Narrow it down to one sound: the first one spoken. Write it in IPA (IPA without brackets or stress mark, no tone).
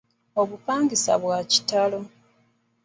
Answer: o